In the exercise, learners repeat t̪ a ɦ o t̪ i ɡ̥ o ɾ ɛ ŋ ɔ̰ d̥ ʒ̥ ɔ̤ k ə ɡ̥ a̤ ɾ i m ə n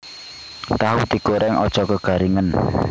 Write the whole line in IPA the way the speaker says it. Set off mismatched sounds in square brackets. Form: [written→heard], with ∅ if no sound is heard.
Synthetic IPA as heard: t̪ a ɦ [o→u] t̪ i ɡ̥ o ɾ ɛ ŋ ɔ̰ d̥ ʒ̥ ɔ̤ k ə ɡ̥ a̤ ɾ i [m→ŋ] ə n

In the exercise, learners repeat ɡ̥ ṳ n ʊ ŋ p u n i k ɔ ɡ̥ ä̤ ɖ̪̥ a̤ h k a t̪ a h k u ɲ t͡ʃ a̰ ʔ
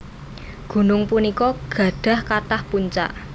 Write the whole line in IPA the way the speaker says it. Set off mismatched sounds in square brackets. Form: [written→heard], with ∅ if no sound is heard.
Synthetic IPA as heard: ɡ̥ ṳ n ʊ ŋ p u n i k ɔ ɡ̥ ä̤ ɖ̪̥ a̤ h k a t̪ a h [k→p] u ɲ t͡ʃ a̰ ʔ

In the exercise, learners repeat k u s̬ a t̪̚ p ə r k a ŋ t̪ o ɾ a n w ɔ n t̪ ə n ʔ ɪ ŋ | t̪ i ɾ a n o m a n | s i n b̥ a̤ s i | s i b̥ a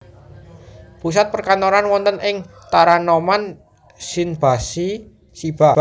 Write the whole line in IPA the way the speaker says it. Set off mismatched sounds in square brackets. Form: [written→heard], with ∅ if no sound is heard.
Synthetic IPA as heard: [k→p] u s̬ a t̪̚ p ə r k a [ŋ→n] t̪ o ɾ a n w ɔ n t̪ ə n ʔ ɪ ŋ | t̪ [i→a] ɾ a n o m a n | s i n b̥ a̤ s i | s i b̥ a

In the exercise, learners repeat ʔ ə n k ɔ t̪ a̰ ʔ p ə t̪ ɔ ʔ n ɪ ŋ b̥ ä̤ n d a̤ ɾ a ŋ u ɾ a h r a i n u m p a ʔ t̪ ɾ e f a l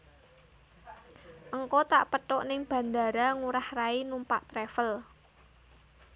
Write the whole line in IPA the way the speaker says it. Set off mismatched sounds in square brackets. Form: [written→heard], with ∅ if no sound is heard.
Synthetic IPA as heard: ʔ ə [n→ŋ] k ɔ t̪ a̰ ʔ p ə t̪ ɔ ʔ n ɪ ŋ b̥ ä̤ n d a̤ ɾ a ŋ u ɾ a h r a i n u m p a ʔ t̪ ɾ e f [a→ə] l

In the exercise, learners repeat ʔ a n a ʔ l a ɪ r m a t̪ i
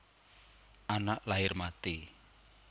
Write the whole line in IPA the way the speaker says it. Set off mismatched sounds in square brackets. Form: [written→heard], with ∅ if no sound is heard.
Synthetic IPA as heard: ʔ a n a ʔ l a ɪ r m a t̪ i

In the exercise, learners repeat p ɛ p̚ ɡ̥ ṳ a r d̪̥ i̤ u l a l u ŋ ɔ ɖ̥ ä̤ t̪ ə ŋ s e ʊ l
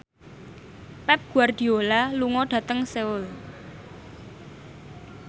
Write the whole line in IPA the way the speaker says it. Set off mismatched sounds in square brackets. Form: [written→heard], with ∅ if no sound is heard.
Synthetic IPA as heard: p ɛ p̚ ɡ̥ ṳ a r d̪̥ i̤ [u→o] l a l u ŋ ɔ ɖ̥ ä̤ t̪ ə ŋ s e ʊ l

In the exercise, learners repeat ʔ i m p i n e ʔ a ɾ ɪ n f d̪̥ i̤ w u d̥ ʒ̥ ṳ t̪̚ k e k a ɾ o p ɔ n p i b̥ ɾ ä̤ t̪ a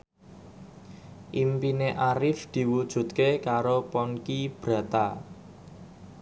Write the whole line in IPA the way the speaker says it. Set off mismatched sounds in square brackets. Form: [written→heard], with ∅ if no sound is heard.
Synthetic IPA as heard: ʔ i m p i n e ʔ a ɾ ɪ [n→∅] f d̪̥ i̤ w u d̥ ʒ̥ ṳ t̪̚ k e k a ɾ o p ɔ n [p→k] i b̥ ɾ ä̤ t̪ a

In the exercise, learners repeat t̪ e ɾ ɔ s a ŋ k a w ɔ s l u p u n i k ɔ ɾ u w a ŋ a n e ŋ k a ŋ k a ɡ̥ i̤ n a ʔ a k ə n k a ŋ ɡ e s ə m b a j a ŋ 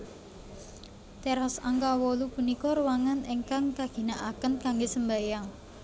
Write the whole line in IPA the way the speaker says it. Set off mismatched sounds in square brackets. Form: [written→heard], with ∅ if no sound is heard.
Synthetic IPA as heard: t̪ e ɾ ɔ s a ŋ k a w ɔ [s→∅] l u p u n i k ɔ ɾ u w a ŋ a n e ŋ k a ŋ k a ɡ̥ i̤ n a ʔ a k ə n k a ŋ ɡ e s ə m b a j a ŋ

